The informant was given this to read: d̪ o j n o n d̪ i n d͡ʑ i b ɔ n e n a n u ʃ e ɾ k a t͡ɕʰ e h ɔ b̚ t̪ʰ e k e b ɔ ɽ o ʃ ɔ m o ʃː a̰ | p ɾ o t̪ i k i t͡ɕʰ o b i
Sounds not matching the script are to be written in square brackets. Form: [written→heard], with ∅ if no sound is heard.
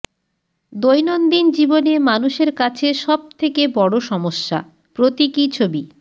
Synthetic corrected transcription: d̪ o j n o n d̪ i n d͡ʑ i b [ɔ→o] n e [n→m] a n u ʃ e ɾ k a t͡ɕʰ e [h→ʃ] ɔ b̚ t̪ʰ e k e b ɔ ɽ o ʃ ɔ m o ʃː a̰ | p ɾ o t̪ i k i t͡ɕʰ o b i

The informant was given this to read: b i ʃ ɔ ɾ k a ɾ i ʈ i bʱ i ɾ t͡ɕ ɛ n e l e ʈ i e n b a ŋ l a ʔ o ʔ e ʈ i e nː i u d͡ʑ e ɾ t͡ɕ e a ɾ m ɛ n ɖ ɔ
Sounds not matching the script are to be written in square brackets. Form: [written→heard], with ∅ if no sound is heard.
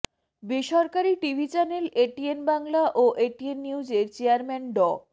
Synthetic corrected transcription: b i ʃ ɔ ɾ k a ɾ i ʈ i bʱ i [ɾ→∅] t͡ɕ ɛ n e l e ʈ i e n b a ŋ l a ʔ o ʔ e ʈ i e nː i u d͡ʑ e ɾ t͡ɕ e a ɾ m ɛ n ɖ ɔ

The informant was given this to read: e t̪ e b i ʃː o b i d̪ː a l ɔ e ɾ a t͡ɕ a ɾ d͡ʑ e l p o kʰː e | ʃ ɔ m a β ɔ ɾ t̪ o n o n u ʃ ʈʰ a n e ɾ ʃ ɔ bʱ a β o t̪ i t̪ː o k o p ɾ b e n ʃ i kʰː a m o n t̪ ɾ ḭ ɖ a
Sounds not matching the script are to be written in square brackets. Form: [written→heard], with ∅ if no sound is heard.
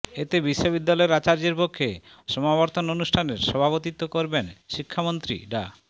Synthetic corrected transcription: e t̪ e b i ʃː o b i d̪ː a l ɔ e ɾ a t͡ɕ a ɾ d͡ʑ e [l→ɾ] p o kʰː e | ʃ ɔ m a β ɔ ɾ t̪ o n o n u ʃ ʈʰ a n e ɾ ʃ ɔ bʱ a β o t̪ i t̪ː o k o [p→∅] ɾ b e n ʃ i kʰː a m o n t̪ ɾ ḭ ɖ a

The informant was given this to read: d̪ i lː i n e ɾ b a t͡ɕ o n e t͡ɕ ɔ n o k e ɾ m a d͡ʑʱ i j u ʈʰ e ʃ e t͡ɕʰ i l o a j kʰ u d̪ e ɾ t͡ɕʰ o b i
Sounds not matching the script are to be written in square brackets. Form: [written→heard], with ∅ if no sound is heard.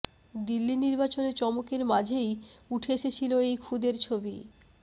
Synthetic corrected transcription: d̪ i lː i n [e→i] ɾ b a t͡ɕ o n e t͡ɕ ɔ [n→m] o k e ɾ m a d͡ʑʱ [i→e] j u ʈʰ e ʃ e t͡ɕʰ i l o [a→e] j kʰ u d̪ e ɾ t͡ɕʰ o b i

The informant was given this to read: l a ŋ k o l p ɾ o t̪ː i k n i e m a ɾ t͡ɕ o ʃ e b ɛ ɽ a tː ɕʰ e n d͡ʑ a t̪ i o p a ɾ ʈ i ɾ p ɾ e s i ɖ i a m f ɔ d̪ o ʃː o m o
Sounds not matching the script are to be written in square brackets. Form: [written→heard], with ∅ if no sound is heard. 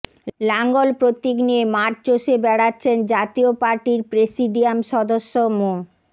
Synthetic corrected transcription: l a ŋ [k→ɡ] o l p ɾ o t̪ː i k n i e m a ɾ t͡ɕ o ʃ e b ɛ ɽ a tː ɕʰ e n d͡ʑ a t̪ i o p a ɾ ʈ i ɾ p ɾ e s i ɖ i a m [f→ʃ] ɔ d̪ o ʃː o m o

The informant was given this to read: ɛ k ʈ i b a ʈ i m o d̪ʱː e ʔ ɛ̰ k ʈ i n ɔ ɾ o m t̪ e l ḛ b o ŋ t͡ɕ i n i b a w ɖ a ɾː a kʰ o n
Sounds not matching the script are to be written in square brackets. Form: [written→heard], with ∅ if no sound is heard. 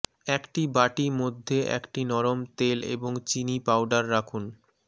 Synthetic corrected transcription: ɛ k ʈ i b a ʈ i m o d̪ʱː e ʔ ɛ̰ k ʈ i n ɔ ɾ o m t̪ e l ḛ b o ŋ t͡ɕ i n i [b→p] a w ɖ a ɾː a kʰ [o→u] n

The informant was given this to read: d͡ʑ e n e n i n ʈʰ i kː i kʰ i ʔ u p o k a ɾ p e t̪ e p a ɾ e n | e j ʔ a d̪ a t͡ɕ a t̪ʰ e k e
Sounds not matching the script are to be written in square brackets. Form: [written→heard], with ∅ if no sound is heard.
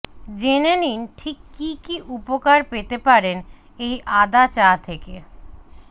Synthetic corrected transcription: d͡ʑ e n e n i n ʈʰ i kː i [kʰ→k] i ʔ u p o k a ɾ p e t̪ e p a ɾ e n | e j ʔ a d̪ a t͡ɕ a t̪ʰ e k e

